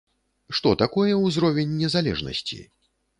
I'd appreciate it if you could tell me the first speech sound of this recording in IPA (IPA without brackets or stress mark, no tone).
ʂ